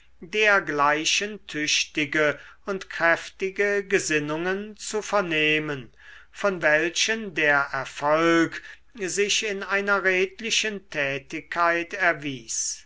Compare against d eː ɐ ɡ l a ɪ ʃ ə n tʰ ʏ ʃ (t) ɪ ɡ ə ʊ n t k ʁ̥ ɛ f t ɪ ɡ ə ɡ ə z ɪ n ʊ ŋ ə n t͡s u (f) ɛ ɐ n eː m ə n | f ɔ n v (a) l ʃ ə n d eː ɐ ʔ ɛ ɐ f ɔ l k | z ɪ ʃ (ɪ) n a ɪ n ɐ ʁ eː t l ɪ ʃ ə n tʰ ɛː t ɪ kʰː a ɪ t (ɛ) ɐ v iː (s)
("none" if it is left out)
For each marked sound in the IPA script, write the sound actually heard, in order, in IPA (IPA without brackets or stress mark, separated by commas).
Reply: t, f, ɛ, ɪ, ɛ, s